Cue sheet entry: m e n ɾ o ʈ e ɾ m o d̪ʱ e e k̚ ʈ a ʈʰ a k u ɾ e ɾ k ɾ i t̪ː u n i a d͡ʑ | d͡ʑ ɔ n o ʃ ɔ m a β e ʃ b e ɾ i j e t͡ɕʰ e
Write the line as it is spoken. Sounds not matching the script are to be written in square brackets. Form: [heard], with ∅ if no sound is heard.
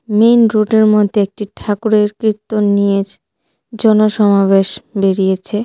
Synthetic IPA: m e n ɾ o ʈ e ɾ m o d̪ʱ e e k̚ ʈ [i] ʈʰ a k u ɾ e ɾ k ɾ i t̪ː [o] n i [e] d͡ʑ | d͡ʑ ɔ n o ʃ ɔ m a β e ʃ b e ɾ i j e t͡ɕʰ e

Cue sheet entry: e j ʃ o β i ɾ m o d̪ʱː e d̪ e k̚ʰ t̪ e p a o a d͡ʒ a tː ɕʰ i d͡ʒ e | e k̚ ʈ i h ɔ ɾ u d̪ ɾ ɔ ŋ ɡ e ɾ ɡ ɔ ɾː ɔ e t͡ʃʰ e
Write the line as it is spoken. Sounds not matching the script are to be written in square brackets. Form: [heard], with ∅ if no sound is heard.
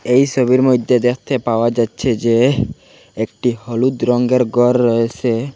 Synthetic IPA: e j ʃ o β i ɾ m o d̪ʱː e d̪ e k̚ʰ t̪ e p a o a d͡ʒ a tː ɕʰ [e] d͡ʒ e | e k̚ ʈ i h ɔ [l] u d̪ ɾ ɔ ŋ ɡ e ɾ ɡ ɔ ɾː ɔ e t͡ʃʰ e

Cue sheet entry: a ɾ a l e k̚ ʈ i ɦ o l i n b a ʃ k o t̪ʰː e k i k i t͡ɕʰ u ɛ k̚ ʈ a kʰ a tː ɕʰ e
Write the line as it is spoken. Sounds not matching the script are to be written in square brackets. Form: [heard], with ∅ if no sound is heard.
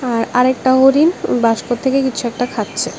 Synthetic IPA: a ɾ a [ɾ] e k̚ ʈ [a] ɦ o [ɾ] i n b a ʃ k o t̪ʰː e k [e] k i t͡ɕʰ u ɛ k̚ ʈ a kʰ a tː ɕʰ e

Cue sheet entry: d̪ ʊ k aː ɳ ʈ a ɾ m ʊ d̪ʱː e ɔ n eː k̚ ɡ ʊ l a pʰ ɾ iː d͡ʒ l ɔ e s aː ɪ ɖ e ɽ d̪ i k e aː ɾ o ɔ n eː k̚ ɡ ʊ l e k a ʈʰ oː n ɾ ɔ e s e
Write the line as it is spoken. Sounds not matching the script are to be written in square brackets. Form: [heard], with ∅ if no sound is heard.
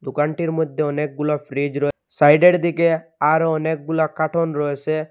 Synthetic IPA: d̪ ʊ k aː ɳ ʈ [i] ɾ m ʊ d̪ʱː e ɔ n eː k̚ ɡ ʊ l a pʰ ɾ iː d͡ʒ [ɾ] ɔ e s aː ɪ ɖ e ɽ d̪ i k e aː ɾ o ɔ n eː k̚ ɡ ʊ l [a] k a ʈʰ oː n ɾ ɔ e s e

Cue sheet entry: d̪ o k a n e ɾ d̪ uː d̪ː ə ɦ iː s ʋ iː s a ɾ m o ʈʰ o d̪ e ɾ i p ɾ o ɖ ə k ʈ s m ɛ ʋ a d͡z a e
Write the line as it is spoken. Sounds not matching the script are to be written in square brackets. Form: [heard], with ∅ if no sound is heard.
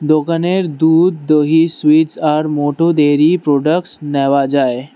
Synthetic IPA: d̪ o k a n e ɾ d̪ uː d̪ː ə ɦ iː s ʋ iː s a ɾ m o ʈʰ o d̪ e ɾ i p ɾ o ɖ ə k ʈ s [n] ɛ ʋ a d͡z a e

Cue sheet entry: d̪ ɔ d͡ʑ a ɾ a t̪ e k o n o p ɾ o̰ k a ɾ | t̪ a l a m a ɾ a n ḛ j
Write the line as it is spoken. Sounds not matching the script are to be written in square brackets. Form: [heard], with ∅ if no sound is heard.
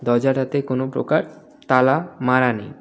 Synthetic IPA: d̪ ɔ d͡ʑ a ɾ a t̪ e k o n o p ɾ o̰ k a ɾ | t̪ a l a m a ɾ a n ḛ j

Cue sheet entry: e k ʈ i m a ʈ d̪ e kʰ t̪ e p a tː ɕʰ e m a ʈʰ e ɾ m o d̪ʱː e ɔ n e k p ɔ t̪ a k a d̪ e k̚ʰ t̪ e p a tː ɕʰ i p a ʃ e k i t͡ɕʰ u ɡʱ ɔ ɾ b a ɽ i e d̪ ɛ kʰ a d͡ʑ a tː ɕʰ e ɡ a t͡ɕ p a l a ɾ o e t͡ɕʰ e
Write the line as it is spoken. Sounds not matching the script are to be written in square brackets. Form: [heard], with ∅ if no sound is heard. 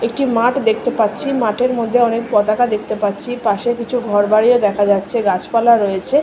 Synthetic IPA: e k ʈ i m a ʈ d̪ e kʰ t̪ e p a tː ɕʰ [i] m a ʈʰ e ɾ m o d̪ʱː e ɔ n e k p ɔ t̪ a k a d̪ e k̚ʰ t̪ e p a tː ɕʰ i p a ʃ e k i t͡ɕʰ u ɡʱ ɔ ɾ b a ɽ i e d̪ ɛ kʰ a d͡ʑ a tː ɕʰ e ɡ a t͡ɕ p a l a ɾ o e t͡ɕʰ e

